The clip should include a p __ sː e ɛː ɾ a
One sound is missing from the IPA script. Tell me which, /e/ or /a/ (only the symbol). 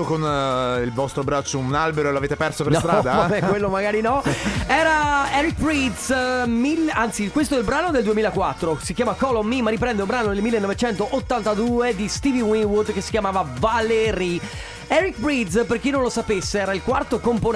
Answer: e